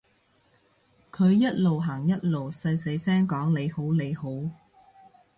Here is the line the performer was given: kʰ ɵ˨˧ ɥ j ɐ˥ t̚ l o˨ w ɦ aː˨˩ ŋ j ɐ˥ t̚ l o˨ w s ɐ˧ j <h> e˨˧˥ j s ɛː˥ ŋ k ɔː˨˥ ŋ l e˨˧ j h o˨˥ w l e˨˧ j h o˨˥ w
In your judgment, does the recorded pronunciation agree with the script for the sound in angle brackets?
no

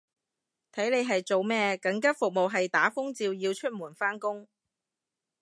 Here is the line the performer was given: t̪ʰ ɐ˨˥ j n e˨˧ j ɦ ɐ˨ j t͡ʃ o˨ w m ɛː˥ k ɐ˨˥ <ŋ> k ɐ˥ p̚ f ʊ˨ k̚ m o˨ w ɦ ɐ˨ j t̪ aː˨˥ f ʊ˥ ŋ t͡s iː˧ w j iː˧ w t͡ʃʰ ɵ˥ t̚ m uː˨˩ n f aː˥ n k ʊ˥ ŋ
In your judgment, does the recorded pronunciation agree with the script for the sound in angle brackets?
yes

